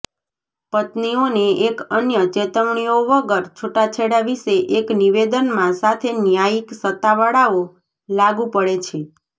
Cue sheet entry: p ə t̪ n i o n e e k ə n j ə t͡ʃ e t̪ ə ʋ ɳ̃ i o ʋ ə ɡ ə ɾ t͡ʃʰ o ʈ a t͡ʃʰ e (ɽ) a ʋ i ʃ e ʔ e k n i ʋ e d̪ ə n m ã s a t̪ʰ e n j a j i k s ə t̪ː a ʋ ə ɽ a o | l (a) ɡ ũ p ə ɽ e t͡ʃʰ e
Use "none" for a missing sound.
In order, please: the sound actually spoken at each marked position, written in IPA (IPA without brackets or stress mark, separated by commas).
ɽ, a